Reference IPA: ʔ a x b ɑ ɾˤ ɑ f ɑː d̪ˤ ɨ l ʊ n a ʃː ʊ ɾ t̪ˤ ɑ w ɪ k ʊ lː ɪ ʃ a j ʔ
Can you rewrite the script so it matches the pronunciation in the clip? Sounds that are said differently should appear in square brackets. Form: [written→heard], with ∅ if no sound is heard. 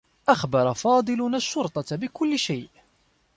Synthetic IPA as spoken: ʔ a x b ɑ ɾˤ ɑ f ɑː d̪ˤ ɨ l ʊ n a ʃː ʊ ɾ t̪ˤ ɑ [w→b] ɪ k ʊ lː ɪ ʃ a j ʔ